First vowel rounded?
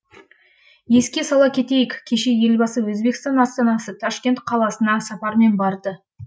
no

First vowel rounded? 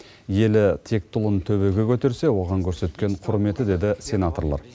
no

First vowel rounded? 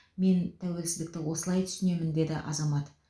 no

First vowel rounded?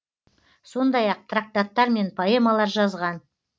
yes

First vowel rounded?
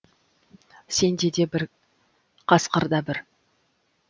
no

